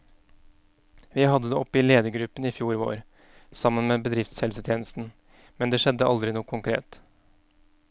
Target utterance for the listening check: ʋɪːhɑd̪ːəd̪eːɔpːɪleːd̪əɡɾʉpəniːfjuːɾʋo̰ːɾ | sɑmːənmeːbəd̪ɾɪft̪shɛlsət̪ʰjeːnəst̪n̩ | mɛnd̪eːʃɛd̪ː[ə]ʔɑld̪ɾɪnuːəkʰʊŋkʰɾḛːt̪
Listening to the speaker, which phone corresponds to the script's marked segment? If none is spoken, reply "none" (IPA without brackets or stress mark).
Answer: ə